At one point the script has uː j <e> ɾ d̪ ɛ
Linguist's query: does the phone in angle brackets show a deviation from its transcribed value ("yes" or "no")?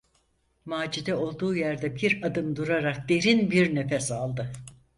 yes